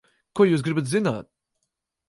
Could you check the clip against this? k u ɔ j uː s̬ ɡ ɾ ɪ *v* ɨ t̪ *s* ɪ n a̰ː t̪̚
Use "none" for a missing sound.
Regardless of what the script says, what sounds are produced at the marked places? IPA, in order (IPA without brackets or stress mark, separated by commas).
b, z